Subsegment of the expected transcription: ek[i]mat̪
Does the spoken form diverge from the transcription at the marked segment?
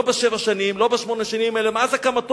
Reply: yes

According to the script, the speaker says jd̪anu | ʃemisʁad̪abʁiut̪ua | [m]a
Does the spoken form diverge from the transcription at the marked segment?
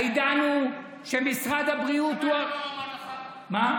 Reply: no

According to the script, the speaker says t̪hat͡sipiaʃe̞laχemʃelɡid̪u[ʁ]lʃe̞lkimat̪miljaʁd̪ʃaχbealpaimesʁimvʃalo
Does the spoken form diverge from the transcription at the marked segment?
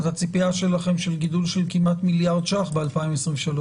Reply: yes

